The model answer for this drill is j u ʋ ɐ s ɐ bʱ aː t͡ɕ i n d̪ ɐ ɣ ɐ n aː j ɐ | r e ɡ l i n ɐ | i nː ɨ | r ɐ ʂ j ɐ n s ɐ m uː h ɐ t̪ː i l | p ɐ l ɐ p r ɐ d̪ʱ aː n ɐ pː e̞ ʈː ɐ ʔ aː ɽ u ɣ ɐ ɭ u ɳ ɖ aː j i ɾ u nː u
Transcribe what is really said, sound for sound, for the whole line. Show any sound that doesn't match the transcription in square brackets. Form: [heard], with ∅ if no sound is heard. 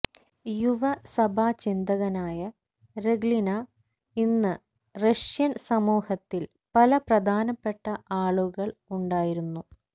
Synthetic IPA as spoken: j u ʋ ɐ s ɐ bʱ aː t͡ɕ i n d̪ ɐ ɣ ɐ n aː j ɐ | r e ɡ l i n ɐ | i nː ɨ | r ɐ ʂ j ɐ n s ɐ m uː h ɐ t̪ː i l | p ɐ l ɐ p r ɐ d̪ʱ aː n ɐ pː e̞ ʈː ɐ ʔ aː [ɭ] u ɣ ɐ ɭ u ɳ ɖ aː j i ɾ u nː u